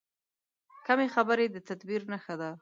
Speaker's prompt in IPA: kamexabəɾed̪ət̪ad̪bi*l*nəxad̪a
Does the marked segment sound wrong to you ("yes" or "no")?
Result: yes